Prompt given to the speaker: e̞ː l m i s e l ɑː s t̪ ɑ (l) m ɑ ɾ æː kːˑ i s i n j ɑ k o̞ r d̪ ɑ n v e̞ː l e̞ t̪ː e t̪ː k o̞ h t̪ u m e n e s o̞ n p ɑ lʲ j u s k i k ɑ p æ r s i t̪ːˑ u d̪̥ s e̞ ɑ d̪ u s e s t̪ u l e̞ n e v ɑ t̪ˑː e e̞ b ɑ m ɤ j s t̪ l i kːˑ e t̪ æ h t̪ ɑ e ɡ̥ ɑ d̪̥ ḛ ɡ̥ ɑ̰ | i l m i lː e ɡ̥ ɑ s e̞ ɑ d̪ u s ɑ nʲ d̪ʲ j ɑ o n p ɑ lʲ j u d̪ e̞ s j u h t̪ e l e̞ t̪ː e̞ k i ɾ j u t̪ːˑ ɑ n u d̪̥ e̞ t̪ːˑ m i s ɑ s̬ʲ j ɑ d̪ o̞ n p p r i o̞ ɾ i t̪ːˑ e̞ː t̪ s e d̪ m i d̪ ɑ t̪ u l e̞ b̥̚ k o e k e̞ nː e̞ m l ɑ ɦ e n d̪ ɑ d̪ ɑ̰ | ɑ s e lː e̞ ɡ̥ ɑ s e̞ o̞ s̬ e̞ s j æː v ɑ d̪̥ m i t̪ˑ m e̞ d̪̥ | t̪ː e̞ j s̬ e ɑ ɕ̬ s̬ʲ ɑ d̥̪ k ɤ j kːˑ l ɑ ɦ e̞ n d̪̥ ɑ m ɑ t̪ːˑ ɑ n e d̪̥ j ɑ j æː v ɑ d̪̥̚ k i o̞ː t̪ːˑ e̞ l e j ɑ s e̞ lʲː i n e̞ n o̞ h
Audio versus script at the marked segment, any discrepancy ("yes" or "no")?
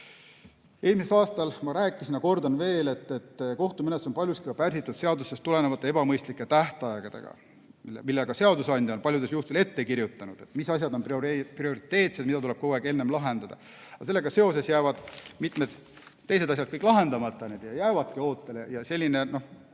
no